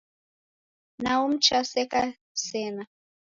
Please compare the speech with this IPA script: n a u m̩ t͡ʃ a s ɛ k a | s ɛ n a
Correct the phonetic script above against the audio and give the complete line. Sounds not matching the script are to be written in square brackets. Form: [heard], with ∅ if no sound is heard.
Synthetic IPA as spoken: n a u m̩ t͡ʃ a s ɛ k a | s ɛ n a